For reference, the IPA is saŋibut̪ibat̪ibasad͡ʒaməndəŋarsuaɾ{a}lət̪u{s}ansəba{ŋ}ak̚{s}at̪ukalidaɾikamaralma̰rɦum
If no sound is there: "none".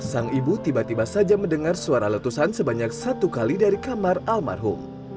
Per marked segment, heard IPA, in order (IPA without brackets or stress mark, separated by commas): a, s, ɲ, s